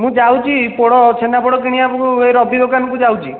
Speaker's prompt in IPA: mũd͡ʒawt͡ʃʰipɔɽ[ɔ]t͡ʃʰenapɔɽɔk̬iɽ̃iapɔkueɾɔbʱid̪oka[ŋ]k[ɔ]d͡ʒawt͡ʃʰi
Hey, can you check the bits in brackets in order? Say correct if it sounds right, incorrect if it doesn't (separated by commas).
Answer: correct, incorrect, incorrect